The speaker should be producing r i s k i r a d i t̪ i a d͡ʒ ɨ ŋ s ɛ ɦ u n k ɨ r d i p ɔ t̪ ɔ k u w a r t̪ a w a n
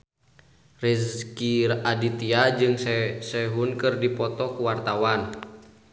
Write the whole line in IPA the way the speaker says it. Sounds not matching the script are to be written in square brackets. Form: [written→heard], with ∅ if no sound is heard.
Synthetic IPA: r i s k i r a d i t̪ i a d͡ʒ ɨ ŋ s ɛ ɦ u n k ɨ r d i p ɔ t̪ ɔ k u w a r t̪ a w a n